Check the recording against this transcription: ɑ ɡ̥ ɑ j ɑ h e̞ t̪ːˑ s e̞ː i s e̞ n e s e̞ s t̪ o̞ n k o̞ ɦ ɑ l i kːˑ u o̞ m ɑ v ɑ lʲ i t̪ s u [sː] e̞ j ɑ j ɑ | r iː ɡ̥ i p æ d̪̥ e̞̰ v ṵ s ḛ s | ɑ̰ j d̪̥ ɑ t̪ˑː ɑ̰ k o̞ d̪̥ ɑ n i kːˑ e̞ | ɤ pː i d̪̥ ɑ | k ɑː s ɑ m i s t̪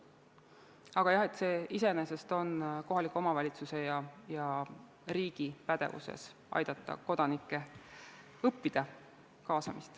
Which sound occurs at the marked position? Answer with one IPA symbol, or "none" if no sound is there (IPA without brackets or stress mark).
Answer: s